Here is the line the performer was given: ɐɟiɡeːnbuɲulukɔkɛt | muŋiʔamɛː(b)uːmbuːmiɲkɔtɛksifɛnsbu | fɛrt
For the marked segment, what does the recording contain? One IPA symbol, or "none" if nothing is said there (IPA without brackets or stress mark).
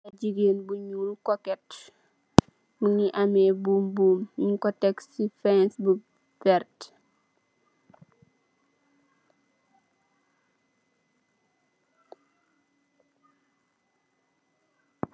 b